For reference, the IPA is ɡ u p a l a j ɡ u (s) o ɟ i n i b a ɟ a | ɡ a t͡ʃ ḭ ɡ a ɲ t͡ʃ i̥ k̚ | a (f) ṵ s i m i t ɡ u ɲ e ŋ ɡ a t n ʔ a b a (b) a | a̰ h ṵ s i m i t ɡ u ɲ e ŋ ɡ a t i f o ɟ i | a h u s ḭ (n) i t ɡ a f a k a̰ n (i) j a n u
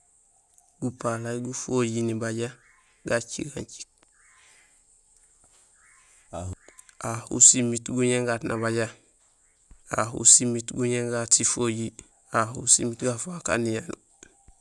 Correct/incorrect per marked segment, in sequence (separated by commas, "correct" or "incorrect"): incorrect, incorrect, incorrect, incorrect, correct